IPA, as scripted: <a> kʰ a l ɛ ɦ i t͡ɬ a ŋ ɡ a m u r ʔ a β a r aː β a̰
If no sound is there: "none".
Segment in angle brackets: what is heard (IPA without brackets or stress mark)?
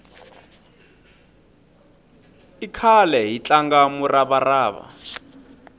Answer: i